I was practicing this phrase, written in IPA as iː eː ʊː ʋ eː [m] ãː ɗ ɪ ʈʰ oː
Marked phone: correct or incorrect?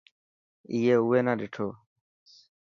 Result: incorrect